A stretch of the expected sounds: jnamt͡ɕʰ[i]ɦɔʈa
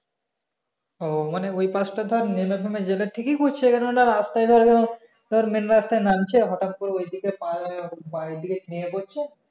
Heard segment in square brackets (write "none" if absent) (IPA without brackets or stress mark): e